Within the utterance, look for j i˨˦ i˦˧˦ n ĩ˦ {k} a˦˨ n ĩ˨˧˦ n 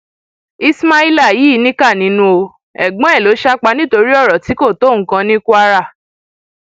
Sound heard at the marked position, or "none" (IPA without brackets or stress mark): k